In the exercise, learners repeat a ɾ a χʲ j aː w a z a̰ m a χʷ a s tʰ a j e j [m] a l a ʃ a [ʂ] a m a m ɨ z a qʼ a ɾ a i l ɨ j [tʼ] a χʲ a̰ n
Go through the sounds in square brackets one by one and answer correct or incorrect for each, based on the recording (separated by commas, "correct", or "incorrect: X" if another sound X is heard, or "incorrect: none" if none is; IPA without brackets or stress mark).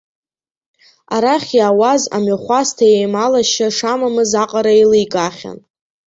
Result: correct, correct, incorrect: kʼ